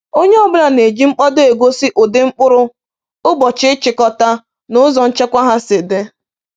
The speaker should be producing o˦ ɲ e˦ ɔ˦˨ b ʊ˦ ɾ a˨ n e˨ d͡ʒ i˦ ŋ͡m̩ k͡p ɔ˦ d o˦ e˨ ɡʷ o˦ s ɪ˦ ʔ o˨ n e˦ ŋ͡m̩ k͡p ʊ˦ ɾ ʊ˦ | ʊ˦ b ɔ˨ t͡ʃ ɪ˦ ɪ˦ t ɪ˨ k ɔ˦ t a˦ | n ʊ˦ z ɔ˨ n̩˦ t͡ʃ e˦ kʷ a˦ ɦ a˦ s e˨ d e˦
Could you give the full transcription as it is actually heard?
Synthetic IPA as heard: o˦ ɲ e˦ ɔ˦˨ b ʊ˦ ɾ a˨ n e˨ d͡ʒ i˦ ŋ͡m̩ k͡p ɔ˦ d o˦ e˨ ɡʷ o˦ s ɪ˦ ʔ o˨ d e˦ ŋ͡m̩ k͡p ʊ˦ ɾ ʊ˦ | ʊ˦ b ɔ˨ t͡ʃ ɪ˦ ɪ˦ t͡ʃ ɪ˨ k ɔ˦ t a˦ | n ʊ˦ z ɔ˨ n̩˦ t͡ʃ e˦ kʷ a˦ ɦ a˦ s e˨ d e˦